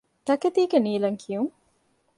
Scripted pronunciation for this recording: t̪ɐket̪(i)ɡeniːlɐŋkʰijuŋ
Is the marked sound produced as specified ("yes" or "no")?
no